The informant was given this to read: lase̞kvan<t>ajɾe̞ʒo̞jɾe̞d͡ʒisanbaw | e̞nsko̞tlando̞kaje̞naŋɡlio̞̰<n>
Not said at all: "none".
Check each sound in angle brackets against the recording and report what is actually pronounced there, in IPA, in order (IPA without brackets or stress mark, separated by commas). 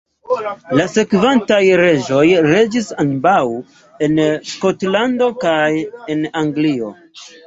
t, none